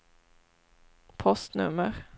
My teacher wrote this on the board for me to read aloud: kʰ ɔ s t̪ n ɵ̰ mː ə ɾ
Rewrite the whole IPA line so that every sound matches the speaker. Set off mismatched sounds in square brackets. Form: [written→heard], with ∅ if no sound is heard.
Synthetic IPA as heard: [kʰ→pʰ] ɔ s t̪ n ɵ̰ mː ə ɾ